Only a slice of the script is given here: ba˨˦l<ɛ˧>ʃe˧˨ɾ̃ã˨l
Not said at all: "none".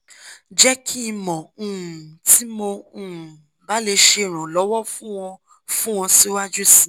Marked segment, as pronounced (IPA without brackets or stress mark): e˧